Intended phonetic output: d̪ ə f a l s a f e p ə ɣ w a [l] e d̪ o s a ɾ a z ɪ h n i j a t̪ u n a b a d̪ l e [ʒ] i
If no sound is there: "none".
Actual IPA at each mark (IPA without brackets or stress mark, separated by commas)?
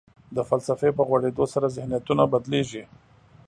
ɽ, ʒ